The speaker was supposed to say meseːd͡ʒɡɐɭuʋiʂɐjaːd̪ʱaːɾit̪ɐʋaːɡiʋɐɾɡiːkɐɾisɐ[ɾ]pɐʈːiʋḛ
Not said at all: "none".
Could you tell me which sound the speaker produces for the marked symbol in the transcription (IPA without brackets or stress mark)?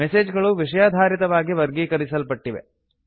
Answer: l